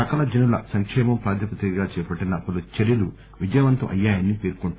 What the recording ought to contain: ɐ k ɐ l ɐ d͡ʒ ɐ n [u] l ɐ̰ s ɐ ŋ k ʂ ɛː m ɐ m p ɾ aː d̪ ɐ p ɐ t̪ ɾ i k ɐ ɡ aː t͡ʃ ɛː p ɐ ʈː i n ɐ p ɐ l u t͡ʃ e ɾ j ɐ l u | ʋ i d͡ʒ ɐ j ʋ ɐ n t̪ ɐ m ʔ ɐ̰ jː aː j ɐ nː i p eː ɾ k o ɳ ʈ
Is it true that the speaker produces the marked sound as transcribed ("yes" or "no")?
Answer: yes